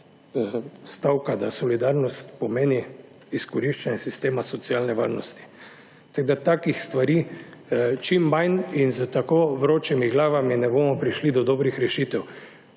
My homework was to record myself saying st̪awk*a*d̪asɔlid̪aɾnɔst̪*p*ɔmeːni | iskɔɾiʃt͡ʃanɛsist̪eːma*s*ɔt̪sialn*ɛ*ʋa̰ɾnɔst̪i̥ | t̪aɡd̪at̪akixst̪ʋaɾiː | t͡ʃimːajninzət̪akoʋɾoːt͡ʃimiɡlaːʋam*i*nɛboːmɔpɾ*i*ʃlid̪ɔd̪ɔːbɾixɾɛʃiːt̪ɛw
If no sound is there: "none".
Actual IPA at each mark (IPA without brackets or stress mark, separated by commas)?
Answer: a, p, s, ɛ, i, i